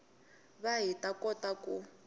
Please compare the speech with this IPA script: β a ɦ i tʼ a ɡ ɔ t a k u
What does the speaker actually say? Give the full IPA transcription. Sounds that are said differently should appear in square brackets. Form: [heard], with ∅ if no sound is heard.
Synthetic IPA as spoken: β a ɦ i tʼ a [k] ɔ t a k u